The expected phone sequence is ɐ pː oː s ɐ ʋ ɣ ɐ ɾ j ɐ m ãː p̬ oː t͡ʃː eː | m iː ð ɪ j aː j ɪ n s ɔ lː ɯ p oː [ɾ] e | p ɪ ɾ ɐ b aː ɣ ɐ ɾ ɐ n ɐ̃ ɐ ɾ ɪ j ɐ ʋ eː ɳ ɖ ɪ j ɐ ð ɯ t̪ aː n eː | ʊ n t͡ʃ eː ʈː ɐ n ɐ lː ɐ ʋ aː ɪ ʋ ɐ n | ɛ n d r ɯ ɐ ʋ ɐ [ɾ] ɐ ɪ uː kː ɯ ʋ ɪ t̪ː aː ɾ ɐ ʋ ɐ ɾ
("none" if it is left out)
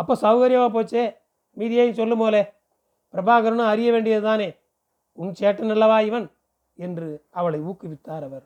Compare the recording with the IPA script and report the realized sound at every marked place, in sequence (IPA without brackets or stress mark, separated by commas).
l, ɭ